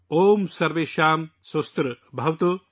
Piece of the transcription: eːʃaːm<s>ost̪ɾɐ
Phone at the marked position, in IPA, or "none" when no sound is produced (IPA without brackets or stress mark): s